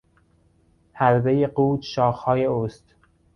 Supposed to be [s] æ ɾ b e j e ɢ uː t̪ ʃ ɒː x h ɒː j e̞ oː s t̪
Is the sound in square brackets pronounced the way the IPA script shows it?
no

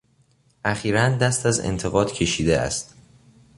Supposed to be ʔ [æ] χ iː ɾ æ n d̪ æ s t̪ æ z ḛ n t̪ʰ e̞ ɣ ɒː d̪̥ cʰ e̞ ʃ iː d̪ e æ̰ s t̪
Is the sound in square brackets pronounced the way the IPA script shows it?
yes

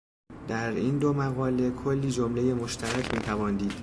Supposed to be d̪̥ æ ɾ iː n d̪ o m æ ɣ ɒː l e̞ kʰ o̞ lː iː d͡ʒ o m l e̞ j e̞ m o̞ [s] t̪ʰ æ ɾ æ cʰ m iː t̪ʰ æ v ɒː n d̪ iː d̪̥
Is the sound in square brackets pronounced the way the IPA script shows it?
no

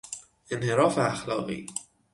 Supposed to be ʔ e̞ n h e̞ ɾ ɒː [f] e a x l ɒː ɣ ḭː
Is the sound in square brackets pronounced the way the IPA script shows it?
yes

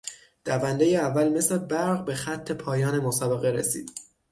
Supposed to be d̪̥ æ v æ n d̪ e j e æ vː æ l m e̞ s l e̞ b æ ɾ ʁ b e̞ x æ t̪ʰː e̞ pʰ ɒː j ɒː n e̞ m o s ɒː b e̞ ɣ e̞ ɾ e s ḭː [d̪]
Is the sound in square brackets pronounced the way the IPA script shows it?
yes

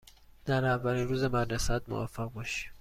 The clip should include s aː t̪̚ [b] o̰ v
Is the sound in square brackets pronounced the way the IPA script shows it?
no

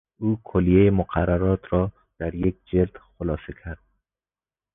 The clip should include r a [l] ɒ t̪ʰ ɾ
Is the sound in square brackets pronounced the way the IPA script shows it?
no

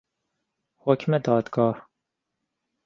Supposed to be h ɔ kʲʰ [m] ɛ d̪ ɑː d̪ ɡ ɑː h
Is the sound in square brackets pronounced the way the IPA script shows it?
yes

